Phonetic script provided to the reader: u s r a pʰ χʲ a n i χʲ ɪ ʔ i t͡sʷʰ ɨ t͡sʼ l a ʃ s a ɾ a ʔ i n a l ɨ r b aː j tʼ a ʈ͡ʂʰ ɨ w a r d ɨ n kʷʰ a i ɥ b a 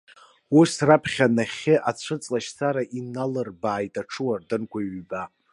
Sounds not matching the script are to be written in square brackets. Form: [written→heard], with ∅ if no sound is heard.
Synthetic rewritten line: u s r a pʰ χʲ a n [i→a] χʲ ɪ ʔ [i→a] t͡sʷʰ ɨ t͡sʼ l a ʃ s a ɾ a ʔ i n a l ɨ r b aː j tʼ a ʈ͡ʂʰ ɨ w a r d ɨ n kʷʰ a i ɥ b a